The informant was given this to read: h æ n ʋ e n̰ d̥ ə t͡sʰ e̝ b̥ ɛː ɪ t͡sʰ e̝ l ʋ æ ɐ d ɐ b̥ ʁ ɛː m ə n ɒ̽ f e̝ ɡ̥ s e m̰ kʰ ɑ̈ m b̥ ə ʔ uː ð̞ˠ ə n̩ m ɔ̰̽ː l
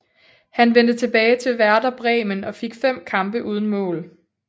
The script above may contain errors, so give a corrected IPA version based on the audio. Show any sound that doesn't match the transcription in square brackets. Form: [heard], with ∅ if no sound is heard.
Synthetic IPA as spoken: h æ n ʋ e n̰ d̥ ə t͡sʰ e̝ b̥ ɛː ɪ t͡sʰ e̝ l ʋ æ ɐ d ɐ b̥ ʁ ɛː m ə n ɒ̽ f e̝ ɡ̥ [f] e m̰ kʰ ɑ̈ m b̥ ə ʔ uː ð̞ˠ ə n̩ m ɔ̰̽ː l